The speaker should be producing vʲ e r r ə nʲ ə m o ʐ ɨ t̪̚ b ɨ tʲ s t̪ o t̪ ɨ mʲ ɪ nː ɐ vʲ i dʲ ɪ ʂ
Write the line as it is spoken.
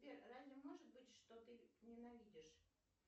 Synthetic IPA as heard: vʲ e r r a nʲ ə m o ʐ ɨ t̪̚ b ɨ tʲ ʂ t̪ o t̪ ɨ nʲ ɪ n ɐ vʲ i dʲ ɪ ʂ